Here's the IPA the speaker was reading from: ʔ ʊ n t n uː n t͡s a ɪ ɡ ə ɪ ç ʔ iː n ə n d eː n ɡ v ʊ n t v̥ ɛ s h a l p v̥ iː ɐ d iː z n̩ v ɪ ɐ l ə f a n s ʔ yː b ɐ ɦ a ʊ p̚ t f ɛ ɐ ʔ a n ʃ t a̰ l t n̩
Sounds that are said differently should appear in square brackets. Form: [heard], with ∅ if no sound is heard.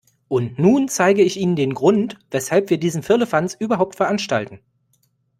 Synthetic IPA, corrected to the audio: ʔ ʊ n t n uː n t͡s a ɪ ɡ ə ɪ ç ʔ iː n ə n d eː n ɡ [ʁ] ʊ n t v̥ ɛ s h a l p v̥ iː ɐ d iː z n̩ [f] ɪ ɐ l ə f a n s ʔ yː b ɐ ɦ a ʊ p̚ t f ɛ ɐ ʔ a n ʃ t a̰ l t n̩